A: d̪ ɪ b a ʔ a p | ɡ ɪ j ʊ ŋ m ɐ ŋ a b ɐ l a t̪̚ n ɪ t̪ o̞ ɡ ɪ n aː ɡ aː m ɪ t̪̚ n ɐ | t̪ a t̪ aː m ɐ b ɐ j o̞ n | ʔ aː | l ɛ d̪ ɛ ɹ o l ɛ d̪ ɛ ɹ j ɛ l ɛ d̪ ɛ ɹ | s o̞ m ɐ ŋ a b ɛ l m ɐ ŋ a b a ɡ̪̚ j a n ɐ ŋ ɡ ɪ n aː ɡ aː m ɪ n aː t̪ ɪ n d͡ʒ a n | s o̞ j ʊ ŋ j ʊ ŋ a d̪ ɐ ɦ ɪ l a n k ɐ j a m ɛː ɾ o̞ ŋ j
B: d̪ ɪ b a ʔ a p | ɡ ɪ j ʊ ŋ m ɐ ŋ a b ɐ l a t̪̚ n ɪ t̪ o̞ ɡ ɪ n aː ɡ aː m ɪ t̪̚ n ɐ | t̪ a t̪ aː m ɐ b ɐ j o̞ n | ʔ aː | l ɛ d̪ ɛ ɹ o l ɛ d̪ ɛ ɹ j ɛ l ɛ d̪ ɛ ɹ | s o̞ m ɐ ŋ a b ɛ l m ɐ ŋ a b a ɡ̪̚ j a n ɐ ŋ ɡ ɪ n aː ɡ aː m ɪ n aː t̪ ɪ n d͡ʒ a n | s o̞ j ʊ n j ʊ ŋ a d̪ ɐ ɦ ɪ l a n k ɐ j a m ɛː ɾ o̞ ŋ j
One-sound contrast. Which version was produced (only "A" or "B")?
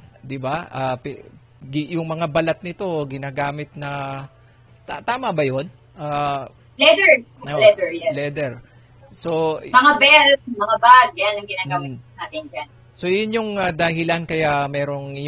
B